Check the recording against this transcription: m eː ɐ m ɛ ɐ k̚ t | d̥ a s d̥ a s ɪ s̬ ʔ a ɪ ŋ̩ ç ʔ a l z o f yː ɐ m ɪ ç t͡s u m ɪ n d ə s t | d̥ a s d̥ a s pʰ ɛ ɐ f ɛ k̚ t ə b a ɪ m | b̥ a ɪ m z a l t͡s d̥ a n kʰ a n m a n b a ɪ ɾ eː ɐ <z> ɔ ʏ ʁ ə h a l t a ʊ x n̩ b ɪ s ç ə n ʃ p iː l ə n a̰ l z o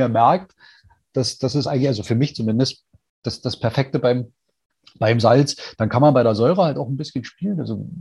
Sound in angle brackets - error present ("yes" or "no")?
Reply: no